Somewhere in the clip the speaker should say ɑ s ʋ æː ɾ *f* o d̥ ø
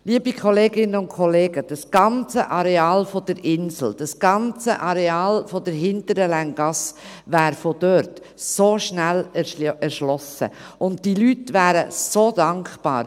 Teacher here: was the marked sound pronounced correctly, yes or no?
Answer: yes